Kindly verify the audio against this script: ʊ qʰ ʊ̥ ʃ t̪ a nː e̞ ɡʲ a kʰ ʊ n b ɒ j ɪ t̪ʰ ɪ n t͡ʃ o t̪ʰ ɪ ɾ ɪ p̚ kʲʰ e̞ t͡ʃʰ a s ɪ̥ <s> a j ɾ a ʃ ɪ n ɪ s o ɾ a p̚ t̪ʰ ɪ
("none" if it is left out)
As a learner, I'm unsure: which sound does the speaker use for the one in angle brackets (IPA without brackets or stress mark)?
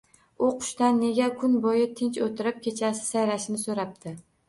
s